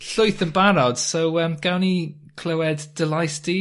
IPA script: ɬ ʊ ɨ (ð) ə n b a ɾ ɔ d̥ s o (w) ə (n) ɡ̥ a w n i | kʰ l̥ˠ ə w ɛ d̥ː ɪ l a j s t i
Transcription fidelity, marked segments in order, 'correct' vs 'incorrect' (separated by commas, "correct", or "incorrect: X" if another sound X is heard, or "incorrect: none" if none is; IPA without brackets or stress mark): incorrect: θ, correct, incorrect: m